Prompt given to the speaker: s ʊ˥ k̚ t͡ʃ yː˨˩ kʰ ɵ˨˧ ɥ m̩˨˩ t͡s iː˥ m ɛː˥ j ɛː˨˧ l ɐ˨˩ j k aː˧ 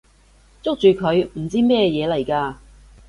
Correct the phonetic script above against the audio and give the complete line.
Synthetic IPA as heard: t͡s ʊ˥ k̚ t͡ʃ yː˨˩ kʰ ɵ˨˧ ɥ m̩˨˩ t͡s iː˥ m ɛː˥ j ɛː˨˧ l ɐ˨˩ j k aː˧